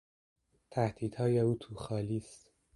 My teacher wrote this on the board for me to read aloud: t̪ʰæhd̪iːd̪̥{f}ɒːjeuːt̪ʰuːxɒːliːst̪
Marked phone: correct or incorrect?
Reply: incorrect